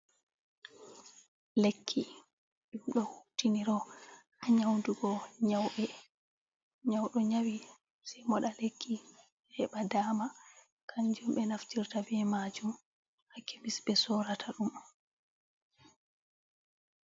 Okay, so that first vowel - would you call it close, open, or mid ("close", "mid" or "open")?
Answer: mid